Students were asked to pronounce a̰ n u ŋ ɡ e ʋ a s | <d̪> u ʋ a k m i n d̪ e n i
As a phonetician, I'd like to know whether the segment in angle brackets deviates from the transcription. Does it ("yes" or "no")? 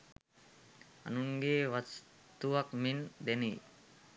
yes